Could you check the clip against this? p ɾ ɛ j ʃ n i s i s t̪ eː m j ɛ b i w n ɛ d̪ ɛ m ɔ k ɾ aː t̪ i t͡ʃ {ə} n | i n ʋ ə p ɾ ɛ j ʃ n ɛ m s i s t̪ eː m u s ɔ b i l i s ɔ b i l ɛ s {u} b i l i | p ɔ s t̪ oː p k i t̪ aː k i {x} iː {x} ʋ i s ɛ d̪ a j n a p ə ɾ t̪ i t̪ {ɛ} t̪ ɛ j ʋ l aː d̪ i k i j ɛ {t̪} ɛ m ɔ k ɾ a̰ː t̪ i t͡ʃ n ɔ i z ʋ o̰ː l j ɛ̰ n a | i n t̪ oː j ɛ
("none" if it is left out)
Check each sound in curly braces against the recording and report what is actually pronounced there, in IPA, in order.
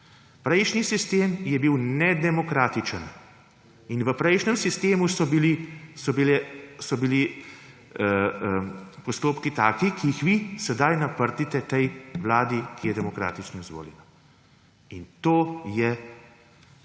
ə, ɔ, k, x, ɛ, d̪

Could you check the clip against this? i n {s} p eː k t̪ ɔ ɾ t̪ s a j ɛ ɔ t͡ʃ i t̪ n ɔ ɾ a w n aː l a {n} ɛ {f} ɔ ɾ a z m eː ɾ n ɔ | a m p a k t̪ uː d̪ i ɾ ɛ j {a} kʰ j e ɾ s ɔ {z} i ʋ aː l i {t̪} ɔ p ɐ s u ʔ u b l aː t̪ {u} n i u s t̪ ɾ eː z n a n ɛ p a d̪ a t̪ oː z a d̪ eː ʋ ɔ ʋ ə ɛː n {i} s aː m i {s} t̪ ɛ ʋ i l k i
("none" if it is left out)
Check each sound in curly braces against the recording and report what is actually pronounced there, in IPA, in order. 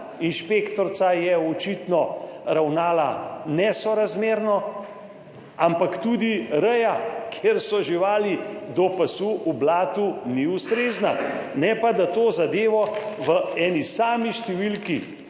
ʃ, n, s, a, ʒ, d̪, u, i, ʃ

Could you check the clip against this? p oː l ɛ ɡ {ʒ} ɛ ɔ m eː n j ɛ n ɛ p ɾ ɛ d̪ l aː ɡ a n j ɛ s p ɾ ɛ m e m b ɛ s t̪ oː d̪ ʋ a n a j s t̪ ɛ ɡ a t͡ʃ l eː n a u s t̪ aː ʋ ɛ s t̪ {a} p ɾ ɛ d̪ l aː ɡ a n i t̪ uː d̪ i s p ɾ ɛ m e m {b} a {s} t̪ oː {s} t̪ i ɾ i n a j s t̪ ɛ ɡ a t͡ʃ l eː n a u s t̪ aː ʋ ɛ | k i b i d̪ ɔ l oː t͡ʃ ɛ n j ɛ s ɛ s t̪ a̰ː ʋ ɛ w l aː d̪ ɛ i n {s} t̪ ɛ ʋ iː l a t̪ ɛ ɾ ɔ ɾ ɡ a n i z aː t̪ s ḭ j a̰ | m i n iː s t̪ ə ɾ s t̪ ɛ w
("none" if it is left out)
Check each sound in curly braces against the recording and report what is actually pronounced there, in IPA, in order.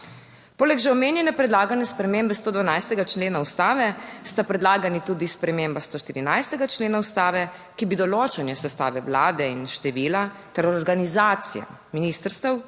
ʒ, a, b, s, ʃ, ʃ

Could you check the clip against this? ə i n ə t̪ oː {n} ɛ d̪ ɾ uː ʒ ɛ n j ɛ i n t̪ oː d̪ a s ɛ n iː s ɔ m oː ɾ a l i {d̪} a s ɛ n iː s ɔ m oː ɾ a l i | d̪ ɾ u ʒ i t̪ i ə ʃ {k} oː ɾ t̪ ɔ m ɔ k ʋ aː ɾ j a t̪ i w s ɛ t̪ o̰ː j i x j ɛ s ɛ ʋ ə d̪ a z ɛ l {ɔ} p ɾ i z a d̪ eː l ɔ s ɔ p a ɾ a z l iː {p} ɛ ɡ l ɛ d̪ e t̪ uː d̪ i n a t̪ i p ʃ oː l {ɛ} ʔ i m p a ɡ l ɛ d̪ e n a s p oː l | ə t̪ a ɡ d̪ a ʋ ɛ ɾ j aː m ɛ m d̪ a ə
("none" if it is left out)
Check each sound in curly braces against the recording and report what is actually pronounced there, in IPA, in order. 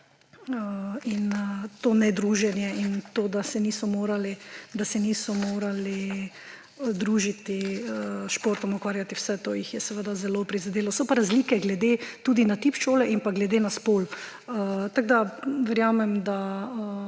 n, d̪, p, o, k, ɛ

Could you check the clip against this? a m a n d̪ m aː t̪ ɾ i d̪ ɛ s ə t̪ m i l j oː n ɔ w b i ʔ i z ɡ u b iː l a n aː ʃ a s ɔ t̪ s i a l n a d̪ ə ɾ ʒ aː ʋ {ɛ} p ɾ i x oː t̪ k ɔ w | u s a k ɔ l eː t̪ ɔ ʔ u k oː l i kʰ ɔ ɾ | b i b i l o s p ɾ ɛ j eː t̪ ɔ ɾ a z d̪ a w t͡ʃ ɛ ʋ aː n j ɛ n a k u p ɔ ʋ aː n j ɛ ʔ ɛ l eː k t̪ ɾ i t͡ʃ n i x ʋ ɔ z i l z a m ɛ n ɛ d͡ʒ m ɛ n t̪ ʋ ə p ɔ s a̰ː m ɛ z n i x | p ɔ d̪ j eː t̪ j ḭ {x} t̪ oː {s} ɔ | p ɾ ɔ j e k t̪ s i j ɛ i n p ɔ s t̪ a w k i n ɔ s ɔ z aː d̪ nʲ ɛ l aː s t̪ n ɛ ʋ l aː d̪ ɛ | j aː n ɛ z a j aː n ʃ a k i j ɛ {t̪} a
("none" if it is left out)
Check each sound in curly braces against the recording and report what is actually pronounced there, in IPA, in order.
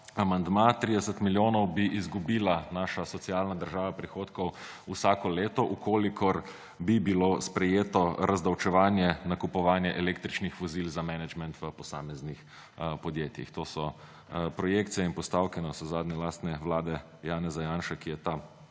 a, x, s, t̪

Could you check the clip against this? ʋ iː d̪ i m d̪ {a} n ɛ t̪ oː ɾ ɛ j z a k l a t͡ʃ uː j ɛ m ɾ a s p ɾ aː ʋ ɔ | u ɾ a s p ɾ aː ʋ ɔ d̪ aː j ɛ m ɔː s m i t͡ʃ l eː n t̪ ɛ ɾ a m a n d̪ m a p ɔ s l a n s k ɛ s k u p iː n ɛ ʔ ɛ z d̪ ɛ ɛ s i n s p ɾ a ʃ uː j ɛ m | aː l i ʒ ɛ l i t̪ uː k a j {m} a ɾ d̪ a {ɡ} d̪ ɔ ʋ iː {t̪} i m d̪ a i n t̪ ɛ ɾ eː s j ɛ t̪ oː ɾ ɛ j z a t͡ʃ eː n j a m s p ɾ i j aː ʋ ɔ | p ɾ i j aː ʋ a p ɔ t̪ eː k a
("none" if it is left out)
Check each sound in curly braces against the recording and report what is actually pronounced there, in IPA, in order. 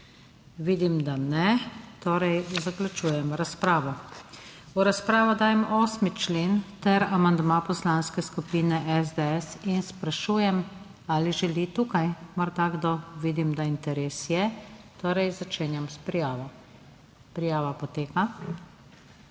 a, m, ɡ, d̪

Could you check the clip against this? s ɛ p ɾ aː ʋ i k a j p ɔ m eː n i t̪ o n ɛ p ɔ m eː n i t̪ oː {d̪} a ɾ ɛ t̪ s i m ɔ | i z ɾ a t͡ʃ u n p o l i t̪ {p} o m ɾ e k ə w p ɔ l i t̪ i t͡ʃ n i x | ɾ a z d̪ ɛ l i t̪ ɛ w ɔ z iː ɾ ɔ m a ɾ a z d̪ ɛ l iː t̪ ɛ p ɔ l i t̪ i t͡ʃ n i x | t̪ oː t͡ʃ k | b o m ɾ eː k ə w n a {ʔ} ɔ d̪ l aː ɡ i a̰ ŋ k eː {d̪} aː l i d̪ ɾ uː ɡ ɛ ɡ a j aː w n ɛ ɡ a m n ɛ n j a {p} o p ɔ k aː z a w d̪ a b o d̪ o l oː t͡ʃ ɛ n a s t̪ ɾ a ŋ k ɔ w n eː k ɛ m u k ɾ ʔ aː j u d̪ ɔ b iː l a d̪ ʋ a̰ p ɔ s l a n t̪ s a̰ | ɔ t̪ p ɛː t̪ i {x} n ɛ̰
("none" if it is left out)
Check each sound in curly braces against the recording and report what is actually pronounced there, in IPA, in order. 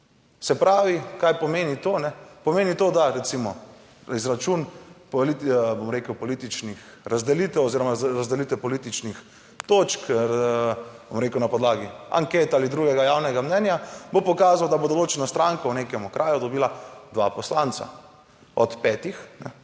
d̪, b, p, t̪, b, x

